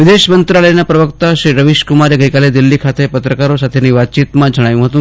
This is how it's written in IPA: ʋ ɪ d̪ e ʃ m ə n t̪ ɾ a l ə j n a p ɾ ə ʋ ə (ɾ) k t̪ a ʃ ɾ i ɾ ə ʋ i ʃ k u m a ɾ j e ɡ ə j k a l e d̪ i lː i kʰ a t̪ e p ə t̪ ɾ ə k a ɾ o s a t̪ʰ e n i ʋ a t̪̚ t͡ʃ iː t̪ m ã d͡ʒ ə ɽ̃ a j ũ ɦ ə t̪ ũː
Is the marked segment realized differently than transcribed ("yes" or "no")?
yes